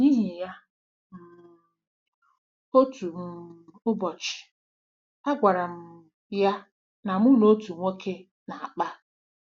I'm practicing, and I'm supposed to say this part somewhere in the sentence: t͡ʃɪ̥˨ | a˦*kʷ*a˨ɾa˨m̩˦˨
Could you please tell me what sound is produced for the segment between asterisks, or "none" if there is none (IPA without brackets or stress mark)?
ɡʷ